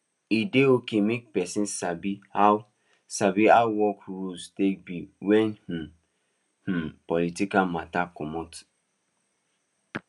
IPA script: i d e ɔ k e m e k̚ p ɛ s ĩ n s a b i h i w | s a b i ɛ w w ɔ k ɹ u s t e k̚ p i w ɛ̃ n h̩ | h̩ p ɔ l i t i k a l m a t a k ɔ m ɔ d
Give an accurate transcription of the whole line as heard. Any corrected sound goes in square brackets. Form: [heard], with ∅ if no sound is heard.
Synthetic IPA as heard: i d e [o] k e m e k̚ p ɛ s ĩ n s a b i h [a] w | s a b i [a] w w ɔ k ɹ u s t e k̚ [b] i w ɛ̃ n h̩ | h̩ p ɔ l i t i k a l m a t a k ɔ m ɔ [t]